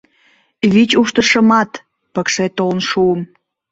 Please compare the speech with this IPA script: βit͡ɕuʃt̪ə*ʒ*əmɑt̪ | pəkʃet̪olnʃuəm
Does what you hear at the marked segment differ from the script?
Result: yes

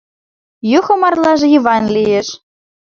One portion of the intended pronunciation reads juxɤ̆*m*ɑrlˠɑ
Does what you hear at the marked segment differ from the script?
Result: no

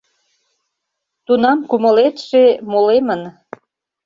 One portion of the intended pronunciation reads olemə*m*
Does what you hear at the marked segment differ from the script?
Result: yes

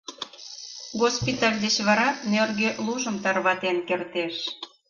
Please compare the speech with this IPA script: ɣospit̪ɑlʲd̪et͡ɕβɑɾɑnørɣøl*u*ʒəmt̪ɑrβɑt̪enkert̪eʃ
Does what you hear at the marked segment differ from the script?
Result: no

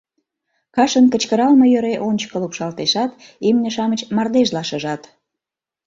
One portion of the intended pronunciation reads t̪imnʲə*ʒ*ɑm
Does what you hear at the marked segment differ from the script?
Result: yes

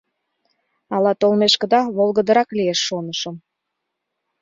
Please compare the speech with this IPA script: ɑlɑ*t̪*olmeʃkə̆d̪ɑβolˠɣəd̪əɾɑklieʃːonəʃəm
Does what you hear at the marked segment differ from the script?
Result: no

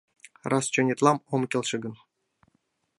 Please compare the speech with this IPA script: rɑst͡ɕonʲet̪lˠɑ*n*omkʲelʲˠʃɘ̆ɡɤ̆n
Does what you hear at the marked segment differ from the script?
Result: yes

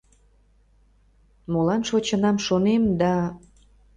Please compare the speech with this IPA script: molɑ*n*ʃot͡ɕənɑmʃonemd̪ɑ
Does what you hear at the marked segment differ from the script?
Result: no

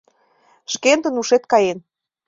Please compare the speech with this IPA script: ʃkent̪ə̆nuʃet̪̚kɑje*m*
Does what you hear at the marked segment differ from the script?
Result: yes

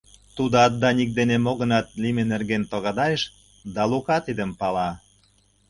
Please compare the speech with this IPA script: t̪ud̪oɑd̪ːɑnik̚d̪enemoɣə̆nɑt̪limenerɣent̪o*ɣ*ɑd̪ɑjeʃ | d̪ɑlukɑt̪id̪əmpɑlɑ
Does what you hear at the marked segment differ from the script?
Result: no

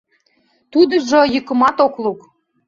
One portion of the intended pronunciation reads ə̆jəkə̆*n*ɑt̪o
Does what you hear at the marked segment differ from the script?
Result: yes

